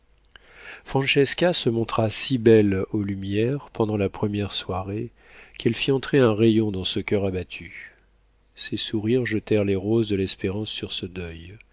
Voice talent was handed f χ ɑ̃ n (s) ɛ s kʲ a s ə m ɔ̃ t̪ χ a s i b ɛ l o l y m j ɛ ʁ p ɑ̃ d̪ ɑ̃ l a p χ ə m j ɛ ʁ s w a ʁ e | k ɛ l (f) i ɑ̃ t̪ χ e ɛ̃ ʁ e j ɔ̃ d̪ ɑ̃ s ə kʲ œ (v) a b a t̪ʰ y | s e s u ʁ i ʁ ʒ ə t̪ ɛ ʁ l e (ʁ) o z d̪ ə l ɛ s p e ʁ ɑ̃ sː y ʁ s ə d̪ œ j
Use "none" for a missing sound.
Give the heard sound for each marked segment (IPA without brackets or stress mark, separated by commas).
ʃ, f, ʁ, ʁ